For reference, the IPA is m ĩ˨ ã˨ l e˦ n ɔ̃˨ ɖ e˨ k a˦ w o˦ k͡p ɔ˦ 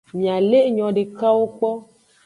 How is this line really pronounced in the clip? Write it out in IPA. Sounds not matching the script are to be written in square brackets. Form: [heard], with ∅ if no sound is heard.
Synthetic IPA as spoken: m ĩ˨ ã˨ l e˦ [ɲ] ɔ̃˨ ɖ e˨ k a˦ w o˦ k͡p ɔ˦